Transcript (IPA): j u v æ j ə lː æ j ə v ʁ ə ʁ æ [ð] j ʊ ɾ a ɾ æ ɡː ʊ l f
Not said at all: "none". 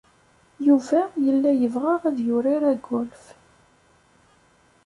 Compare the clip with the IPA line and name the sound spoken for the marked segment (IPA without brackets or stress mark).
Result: ð